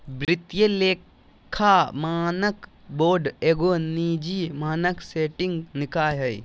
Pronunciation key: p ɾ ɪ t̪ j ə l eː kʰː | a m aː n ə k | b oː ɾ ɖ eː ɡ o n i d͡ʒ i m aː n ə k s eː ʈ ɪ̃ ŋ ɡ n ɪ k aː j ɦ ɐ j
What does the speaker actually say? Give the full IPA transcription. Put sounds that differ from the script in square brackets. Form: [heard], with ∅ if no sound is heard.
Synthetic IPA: [b] ɾ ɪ t̪ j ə l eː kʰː | a m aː n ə k | b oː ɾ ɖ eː ɡ o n i d͡ʒ i m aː n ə k s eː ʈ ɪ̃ ŋ ɡ n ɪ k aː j ɦ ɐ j